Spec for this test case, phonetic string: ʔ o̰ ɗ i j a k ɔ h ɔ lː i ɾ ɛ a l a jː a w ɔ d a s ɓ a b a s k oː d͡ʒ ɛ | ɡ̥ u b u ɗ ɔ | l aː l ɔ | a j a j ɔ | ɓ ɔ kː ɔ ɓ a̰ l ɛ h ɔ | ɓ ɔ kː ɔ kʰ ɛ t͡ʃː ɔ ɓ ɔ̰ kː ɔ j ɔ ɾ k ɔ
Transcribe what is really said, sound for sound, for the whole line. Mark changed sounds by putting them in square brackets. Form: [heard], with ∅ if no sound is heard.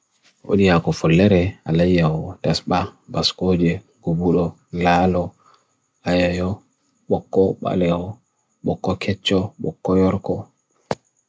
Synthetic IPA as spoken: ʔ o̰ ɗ i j a k ɔ [f] ɔ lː [ɛ] ɾ ɛ a l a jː a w ɔ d a s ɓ a b a s k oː d͡ʒ ɛ | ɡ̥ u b u ɗ ɔ | l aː l ɔ | a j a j ɔ | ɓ ɔ kː ɔ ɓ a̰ l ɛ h ɔ | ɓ ɔ kː ɔ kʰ ɛ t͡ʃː ɔ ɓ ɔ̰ kː ɔ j ɔ ɾ k ɔ

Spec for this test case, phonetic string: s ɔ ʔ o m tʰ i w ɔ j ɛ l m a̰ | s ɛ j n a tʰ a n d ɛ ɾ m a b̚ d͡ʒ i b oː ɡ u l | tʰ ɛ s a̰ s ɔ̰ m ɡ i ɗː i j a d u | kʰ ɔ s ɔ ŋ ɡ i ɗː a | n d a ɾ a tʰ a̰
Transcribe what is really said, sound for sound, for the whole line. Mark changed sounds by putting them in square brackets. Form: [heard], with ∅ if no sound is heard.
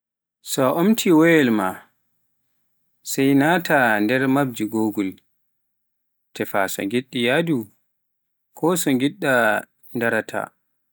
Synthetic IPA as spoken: s ɔ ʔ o m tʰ i w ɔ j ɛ l m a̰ | s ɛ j n a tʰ a n d ɛ ɾ m a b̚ d͡ʒ i [ɡ] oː ɡ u l | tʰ ɛ [f] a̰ s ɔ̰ [ŋ] ɡ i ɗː i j a d u | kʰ ɔ s ɔ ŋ ɡ i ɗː a | n d a ɾ a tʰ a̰

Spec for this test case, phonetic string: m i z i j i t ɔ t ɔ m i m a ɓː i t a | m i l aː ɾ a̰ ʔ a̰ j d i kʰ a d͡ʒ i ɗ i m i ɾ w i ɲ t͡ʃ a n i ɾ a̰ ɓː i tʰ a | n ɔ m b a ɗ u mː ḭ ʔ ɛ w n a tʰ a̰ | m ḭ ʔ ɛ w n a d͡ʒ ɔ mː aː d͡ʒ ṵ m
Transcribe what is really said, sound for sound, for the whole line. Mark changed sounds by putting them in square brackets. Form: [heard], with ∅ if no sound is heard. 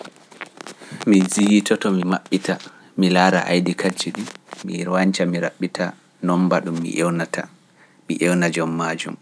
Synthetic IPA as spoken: m i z i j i t ɔ t ɔ m i m a ɓː i t a | m i l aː ɾ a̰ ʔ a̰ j d i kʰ a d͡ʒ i ɗ i m i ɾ w [a] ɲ t͡ʃ a [m] i ɾ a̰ ɓː i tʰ a | n ɔ m b a ɗ u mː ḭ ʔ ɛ w n a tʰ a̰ | m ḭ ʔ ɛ w n a d͡ʒ ɔ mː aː d͡ʒ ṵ m

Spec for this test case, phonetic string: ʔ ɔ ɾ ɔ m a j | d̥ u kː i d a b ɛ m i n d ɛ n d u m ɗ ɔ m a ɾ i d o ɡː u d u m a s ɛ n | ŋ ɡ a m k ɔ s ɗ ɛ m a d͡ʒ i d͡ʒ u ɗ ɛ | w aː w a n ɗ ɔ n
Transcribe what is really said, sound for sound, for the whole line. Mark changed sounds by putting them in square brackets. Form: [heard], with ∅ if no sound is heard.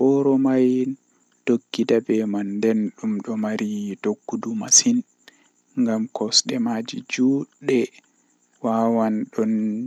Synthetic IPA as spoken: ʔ ɔ ɾ ɔ m a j | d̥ [o] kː i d a b ɛ m [a] n d ɛ n [ɗ] u m ɗ ɔ m a ɾ i d o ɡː u d u m a s [i] n | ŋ ɡ a m k ɔ s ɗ ɛ m a d͡ʒ i d͡ʒ u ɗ ɛ | w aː w a n ɗ ɔ n

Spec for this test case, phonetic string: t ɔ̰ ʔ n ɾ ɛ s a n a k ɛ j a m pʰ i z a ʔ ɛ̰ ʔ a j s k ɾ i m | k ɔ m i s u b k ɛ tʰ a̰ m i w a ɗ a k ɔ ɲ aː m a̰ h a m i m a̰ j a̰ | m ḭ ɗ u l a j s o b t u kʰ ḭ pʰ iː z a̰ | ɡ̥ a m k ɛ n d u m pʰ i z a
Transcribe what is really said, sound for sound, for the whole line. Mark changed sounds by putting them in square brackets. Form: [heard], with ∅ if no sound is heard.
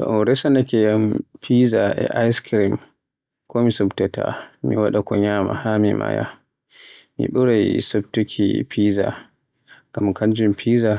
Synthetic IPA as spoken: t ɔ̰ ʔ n ɾ ɛ s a n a k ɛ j a m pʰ i z a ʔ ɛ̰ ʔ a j s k ɾ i m | k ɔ m i s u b [t] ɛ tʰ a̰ m i w a ɗ a k ɔ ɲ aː m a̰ h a m i m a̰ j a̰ | m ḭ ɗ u [ɾ] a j s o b t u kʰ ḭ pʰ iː z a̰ | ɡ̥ a m k [a] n [d͡ʒ] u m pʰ i z a

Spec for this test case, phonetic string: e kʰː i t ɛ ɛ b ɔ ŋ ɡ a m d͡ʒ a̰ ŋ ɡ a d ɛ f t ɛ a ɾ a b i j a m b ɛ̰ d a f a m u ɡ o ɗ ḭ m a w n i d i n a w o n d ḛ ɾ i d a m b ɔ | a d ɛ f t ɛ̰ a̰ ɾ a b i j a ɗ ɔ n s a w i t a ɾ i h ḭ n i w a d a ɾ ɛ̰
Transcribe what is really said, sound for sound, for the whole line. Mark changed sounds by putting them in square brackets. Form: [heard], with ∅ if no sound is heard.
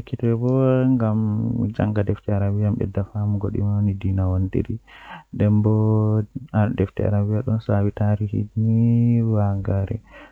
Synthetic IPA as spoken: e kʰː i t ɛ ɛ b ɔ ŋ ɡ a m d͡ʒ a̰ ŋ ɡ a d ɛ f t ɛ a ɾ a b i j a m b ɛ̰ d a f a m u ɡ o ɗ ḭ m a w n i d i n a w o n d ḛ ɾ i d [ɛ] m b ɔ | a d ɛ f t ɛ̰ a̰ ɾ a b i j a ɗ ɔ n s a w i t a ɾ i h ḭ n i w a [ɡ] a ɾ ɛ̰

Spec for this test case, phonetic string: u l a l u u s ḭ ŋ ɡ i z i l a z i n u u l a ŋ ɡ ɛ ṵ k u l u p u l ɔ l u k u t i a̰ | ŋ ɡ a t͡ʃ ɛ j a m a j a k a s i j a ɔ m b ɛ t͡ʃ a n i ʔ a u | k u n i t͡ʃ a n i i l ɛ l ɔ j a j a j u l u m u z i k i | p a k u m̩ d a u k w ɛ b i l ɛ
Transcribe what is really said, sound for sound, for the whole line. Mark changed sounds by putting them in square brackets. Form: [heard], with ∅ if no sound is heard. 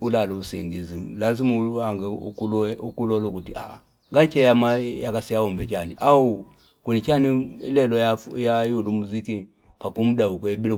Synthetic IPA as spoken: u l a l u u s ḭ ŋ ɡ i z i l a z i [m] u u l a ŋ ɡ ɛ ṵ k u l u [k] u l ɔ l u k u t i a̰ | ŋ ɡ a t͡ʃ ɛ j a m a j a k a s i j a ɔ m b ɛ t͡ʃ a n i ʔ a u | k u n i t͡ʃ a n i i l ɛ l ɔ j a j a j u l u m u z i k i | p a k u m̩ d a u k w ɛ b i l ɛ

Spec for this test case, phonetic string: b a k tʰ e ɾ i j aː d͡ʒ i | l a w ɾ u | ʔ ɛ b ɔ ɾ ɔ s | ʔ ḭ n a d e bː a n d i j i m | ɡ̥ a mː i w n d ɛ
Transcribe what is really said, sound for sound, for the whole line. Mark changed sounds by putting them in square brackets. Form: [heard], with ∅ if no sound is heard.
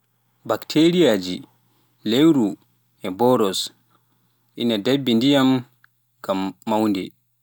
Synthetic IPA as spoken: b a k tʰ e ɾ i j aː d͡ʒ i | l [e] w ɾ u | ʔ ɛ b ɔ ɾ ɔ s | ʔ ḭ n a d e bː [i] n d i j [a] m | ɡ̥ a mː [a] w n d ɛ

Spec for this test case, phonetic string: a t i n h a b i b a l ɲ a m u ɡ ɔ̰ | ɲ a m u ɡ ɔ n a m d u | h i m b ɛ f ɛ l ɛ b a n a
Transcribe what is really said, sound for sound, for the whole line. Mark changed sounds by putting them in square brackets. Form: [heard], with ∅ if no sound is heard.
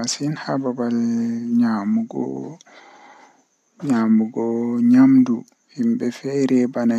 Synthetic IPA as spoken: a [s] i n h a b [a] b a l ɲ a m u ɡ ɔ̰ | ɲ a m u ɡ ɔ [ɲ] a m d u | h i m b ɛ f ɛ [ɾ] ɛ b a n a

